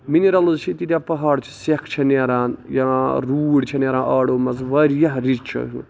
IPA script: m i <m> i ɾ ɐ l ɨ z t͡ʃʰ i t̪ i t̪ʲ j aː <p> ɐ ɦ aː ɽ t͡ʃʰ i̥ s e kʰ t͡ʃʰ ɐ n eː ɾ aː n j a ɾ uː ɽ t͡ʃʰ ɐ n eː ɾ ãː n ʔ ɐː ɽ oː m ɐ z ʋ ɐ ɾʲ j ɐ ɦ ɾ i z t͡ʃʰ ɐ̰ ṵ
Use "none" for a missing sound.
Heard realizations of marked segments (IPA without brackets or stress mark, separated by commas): n, p